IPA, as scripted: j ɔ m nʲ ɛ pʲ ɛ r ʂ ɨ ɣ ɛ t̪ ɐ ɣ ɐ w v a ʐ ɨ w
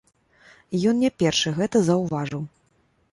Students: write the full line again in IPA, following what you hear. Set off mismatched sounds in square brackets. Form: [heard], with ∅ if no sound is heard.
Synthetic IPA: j ɔ [n] nʲ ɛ pʲ ɛ r ʂ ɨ ɣ ɛ t̪ ɐ [z] ɐ w v a ʐ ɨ w